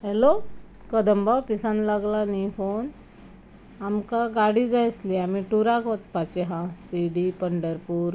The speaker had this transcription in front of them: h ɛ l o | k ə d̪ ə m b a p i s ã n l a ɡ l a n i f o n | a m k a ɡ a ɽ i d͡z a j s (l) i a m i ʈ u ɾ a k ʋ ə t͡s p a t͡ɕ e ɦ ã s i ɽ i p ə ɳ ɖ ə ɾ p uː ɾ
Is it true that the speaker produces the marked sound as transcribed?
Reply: yes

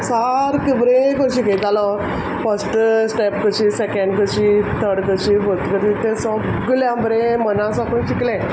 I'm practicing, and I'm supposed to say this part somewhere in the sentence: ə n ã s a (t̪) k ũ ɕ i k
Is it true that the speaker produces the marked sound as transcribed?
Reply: no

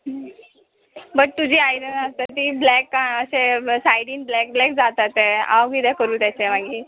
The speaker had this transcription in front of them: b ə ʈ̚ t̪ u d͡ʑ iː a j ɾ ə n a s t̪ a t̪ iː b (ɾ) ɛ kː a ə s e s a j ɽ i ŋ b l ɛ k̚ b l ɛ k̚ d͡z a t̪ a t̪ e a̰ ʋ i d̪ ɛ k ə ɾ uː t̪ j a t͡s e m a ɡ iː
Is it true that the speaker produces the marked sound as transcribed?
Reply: no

